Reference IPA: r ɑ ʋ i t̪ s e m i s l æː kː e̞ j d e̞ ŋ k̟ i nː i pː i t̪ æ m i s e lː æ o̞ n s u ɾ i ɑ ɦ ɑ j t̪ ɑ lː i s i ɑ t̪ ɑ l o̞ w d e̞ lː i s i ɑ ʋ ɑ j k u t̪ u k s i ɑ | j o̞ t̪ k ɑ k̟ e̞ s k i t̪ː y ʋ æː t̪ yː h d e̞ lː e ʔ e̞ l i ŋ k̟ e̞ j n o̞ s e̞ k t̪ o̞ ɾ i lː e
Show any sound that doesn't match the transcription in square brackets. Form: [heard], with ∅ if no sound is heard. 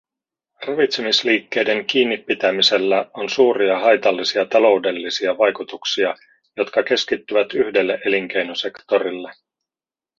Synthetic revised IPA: r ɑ ʋ i t̪ s e m i s l [iː] kː e̞ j d e̞ ŋ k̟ [iː] nː i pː i t̪ æ m i s e lː æ o̞ n s [uː] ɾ i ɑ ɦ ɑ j t̪ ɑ lː i s i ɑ t̪ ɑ l o̞ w d e̞ lː i s i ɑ ʋ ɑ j k u t̪ u k s i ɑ | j o̞ t̪ k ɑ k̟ e̞ s k i t̪ː y ʋ [æ] t̪ [y] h d e̞ lː e ʔ e̞ l i ŋ k̟ e̞ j n o̞ s e̞ k t̪ o̞ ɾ i lː e